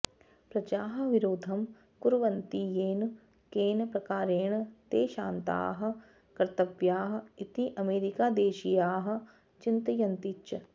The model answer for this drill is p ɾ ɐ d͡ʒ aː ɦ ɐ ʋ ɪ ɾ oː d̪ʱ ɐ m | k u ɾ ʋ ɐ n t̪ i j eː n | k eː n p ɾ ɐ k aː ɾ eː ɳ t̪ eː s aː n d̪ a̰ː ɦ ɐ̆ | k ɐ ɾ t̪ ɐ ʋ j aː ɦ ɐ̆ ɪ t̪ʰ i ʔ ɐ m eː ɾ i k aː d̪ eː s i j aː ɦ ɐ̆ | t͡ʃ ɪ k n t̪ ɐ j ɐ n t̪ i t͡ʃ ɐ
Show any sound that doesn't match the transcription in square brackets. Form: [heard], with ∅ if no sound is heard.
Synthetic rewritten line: p ɾ ɐ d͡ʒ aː ɦ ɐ ʋ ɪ ɾ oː d̪ʱ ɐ m | k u ɾ ʋ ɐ n t̪ i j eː n | k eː n p ɾ ɐ k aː ɾ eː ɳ t̪ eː [ʃ] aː n [t̪] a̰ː ɦ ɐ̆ | k ɐ ɾ t̪ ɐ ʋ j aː ɦ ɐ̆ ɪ [t̪] i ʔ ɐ m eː ɾ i k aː d̪ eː [ʃ] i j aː ɦ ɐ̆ | t͡ʃ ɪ [∅] n t̪ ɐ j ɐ n t̪ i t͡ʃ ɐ

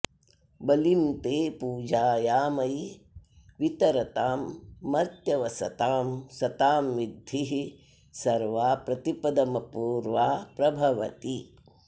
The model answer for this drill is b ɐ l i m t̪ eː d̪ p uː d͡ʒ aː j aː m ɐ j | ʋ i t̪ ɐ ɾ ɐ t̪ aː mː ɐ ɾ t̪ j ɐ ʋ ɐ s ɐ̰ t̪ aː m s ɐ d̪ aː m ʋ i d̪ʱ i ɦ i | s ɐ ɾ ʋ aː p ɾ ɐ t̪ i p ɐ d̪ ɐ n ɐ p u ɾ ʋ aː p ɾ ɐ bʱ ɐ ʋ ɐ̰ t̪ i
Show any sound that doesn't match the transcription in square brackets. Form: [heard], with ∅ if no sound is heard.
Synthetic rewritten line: b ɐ l i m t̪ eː [∅] p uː d͡ʒ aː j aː m ɐ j | ʋ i t̪ ɐ ɾ ɐ t̪ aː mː ɐ ɾ t̪ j ɐ ʋ ɐ s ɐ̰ t̪ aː m s ɐ [t̪] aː m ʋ i d̪ʱ i ɦ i | s ɐ ɾ ʋ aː p ɾ ɐ t̪ i p ɐ d̪ ɐ [m] ɐ p [uː] ɾ ʋ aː p ɾ ɐ bʱ ɐ ʋ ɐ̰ t̪ i

